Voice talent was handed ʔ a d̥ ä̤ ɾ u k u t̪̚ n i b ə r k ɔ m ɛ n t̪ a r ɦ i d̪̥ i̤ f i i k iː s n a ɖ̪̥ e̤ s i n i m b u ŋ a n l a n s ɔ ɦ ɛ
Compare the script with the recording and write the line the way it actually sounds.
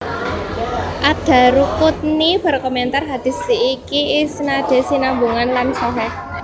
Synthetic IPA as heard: ʔ a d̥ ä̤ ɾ u k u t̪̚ n i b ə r k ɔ m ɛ n t̪ a r ɦ a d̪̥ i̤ s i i k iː s n a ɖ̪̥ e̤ s i n a m b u ŋ a n l a n s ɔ ɦ ɛ